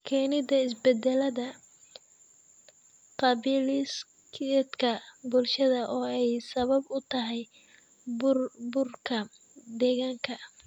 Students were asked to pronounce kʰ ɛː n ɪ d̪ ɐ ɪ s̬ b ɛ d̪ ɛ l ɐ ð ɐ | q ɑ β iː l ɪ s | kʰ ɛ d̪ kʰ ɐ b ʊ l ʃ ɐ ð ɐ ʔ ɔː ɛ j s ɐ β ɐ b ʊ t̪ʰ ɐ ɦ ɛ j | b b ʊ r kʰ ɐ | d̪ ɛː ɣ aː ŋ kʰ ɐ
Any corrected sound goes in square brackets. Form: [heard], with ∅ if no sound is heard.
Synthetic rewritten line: kʰ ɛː n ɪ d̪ ɐ ɪ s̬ b ɛ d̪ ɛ l ɐ ð ɐ | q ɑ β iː l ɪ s | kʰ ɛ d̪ kʰ ɐ b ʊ l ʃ ɐ ð ɐ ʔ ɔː ɛ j s ɐ β ɐ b ʊ t̪ʰ ɐ ɦ ɛ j | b b ʊ r kʰ ɐ | d̪ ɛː ɣ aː ŋ kʰ ɐ

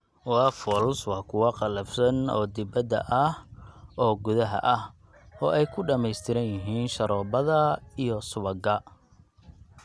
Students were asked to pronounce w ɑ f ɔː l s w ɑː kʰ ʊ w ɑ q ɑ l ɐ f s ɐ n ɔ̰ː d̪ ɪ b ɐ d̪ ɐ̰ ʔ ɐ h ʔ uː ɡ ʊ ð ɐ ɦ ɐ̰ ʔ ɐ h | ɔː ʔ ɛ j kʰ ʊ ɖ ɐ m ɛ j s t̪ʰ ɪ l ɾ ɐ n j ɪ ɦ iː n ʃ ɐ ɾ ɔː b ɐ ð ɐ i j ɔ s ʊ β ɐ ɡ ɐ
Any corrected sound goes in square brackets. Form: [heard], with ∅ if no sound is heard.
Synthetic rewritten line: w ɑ f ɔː l s w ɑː kʰ ʊ w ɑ q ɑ l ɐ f s ɐ n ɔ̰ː d̪ ɪ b ɐ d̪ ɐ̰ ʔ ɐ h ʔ [ɔː] ɡ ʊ ð ɐ ɦ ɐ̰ ʔ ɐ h | ɔː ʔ ɛ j kʰ ʊ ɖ ɐ m ɛ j s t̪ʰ ɪ [∅] ɾ ɐ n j ɪ ɦ iː n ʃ ɐ ɾ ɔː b ɐ ð ɐ i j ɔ s ʊ β ɐ ɡ ɐ

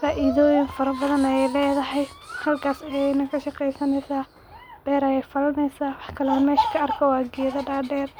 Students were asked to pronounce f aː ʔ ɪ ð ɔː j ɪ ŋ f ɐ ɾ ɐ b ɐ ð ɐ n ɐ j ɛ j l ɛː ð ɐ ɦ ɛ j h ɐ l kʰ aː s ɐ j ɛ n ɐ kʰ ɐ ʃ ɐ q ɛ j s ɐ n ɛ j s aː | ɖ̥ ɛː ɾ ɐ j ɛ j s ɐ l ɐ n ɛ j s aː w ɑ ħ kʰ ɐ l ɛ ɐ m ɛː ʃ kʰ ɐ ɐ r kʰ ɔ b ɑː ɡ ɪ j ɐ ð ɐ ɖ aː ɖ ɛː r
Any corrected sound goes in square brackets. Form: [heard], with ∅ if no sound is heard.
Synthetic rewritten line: f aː ʔ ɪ ð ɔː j ɪ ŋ f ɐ ɾ ɐ b ɐ ð ɐ n ɐ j ɛ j l ɛː ð ɐ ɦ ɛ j h ɐ l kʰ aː s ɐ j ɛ n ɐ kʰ ɐ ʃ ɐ q ɛ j s ɐ n ɛ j s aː | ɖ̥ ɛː ɾ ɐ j ɛ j [f] ɐ l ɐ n ɛ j s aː w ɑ ħ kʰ ɐ l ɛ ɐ m ɛː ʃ kʰ ɐ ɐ r kʰ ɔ [w] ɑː ɡ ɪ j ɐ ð ɐ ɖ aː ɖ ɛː r

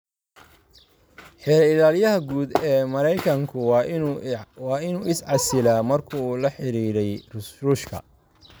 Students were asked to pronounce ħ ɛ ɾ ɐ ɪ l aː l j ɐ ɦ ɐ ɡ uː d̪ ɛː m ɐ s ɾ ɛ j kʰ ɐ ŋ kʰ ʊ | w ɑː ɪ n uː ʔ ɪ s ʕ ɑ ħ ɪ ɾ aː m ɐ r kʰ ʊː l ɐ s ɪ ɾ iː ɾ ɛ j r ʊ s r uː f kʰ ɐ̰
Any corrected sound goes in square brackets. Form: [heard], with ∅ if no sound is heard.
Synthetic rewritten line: ħ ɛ ɾ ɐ ɪ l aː l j ɐ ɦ ɐ ɡ uː d̪ ɛː m ɐ [∅] ɾ ɛ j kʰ ɐ ŋ kʰ ʊ | w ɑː ɪ n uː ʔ ɪ s ʕ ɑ [s] ɪ [l] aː m ɐ r kʰ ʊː l ɐ [ħ] ɪ ɾ iː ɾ ɛ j r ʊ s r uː [ʃ] kʰ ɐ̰

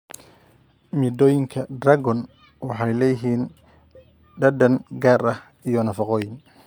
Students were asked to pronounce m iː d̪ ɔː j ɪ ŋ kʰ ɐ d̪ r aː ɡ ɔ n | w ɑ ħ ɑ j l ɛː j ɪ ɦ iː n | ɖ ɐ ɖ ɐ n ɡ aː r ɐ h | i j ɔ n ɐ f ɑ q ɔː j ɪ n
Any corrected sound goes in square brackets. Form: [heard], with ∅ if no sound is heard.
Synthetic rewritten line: m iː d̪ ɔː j ɪ ŋ kʰ ɐ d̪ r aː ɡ ɔ n | w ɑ ħ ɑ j l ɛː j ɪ ɦ iː n | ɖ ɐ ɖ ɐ n ɡ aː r ɐ h | i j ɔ n ɐ f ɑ q ɔː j ɪ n

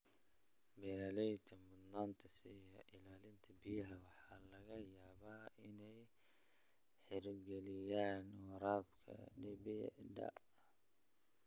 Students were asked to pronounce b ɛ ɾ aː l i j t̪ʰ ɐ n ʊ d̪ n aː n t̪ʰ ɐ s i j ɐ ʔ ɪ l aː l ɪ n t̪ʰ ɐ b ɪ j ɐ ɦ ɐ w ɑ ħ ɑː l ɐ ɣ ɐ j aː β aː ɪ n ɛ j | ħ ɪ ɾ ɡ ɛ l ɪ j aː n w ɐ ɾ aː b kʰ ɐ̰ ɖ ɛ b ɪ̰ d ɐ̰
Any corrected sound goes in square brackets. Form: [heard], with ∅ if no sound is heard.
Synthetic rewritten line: b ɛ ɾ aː l [ɛ] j t̪ʰ ɐ [m] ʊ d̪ n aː n t̪ʰ ɐ s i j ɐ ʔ ɪ l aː l ɪ n t̪ʰ ɐ b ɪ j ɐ ɦ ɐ w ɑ ħ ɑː l ɐ ɣ ɐ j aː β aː ɪ n ɛ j | ħ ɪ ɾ ɡ ɛ l ɪ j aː n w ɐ ɾ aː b kʰ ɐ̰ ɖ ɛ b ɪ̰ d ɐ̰

